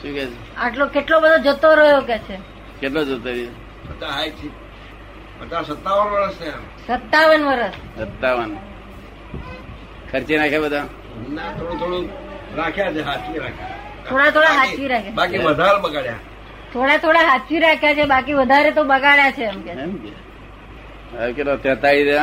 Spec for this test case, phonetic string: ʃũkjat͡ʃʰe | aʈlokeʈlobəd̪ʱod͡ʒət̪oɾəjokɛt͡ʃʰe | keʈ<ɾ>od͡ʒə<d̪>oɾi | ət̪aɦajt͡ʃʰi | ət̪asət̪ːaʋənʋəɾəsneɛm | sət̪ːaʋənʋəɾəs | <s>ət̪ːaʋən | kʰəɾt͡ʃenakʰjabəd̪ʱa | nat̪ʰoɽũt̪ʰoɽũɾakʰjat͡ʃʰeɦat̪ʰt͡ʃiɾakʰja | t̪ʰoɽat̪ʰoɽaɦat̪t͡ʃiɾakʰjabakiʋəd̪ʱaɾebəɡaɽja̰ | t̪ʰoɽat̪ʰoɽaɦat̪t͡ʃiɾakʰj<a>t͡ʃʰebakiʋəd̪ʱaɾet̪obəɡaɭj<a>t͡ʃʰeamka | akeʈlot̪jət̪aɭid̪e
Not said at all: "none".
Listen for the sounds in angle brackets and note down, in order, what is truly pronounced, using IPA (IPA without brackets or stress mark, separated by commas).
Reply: l, t̪, s, a, a